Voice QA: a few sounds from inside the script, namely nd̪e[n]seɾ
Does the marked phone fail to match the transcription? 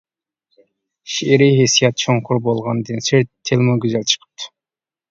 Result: no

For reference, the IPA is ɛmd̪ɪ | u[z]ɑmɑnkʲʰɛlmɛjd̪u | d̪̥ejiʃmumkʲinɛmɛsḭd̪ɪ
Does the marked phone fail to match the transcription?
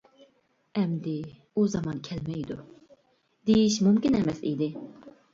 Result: no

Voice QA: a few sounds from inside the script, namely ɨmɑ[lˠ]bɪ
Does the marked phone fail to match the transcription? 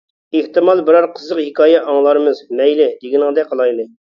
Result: no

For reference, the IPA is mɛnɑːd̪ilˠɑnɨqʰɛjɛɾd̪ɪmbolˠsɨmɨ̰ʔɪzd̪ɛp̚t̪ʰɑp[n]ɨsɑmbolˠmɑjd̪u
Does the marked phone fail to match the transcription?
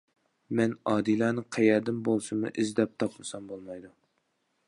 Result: yes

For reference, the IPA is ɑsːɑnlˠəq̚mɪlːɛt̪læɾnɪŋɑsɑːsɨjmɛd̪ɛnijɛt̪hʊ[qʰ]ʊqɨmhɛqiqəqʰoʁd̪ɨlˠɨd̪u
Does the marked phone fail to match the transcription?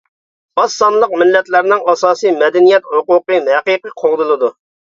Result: yes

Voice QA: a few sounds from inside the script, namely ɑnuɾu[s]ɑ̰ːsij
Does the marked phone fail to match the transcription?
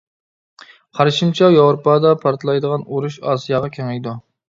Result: yes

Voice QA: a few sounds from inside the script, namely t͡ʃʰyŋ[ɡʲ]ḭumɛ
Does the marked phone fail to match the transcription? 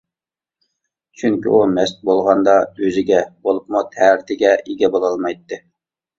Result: yes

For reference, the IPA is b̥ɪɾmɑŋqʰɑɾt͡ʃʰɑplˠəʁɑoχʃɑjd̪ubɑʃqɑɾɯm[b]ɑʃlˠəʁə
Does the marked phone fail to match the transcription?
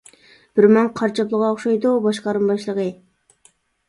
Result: no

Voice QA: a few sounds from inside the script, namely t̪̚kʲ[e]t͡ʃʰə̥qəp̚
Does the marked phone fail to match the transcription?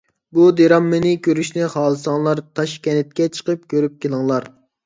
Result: yes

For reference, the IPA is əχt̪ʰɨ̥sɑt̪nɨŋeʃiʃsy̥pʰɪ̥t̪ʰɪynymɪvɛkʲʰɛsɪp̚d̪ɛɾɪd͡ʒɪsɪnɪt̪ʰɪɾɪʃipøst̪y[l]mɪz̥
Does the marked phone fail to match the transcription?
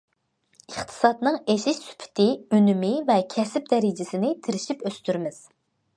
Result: yes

